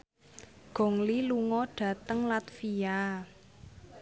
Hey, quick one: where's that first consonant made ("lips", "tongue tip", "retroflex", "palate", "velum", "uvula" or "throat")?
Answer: velum